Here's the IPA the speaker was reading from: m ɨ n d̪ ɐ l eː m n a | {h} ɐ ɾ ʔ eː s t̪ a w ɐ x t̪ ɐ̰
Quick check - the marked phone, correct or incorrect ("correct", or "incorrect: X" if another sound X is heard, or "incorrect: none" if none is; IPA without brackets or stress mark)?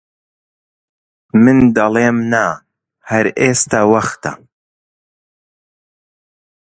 correct